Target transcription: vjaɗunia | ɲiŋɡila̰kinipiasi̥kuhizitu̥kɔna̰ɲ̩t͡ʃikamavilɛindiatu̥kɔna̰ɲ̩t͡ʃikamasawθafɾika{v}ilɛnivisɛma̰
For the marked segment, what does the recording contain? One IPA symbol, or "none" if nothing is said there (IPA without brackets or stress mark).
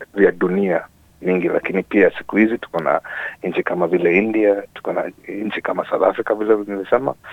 v